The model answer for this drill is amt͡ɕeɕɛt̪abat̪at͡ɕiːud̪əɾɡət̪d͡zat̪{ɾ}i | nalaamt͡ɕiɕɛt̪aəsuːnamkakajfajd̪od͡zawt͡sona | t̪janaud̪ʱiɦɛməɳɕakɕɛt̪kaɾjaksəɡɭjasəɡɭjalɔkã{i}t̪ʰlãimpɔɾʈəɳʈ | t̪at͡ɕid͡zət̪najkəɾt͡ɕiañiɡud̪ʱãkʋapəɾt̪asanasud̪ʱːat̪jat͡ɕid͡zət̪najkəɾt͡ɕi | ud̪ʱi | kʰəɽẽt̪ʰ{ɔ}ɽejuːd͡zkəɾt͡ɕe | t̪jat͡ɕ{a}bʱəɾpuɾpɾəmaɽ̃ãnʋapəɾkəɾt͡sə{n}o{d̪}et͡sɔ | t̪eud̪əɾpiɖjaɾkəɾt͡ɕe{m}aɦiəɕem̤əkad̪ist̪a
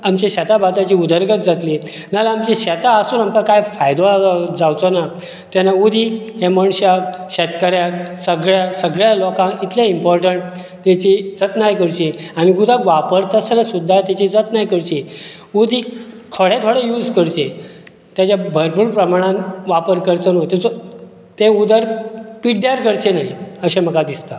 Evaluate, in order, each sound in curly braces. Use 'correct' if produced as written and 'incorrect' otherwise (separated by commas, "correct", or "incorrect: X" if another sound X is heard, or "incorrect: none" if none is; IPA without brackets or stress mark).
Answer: incorrect: l, correct, incorrect: o, correct, correct, incorrect: t̪, incorrect: n